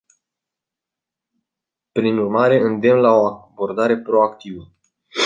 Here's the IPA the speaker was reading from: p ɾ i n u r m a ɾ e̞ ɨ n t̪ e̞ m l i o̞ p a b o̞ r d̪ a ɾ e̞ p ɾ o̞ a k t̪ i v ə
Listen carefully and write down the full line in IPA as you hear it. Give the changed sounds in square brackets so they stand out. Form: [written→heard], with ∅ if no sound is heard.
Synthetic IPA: p ɾ i n u r m a ɾ e̞ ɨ n [t̪→d̪] e̞ m l [i→a] o̞ [p→∅] a b o̞ r d̪ a ɾ e̞ p ɾ o̞ a k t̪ i v ə